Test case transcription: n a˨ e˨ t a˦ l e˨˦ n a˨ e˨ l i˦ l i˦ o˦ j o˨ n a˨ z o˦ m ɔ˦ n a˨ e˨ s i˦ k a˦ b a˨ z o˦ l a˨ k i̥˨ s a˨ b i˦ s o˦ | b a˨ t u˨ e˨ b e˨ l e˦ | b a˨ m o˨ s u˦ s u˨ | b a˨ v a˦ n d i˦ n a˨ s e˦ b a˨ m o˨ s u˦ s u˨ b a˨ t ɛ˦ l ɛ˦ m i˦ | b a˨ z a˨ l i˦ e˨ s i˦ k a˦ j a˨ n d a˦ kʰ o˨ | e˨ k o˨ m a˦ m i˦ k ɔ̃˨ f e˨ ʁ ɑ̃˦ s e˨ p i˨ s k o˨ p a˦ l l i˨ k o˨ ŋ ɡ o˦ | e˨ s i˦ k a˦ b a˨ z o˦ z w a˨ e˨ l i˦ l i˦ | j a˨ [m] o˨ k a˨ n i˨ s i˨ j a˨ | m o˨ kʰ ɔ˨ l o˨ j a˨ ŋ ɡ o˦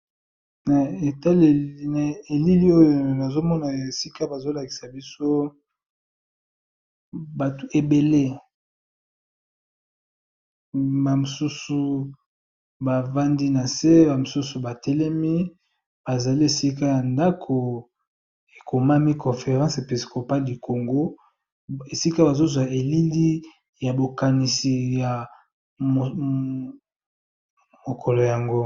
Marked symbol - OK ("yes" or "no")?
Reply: no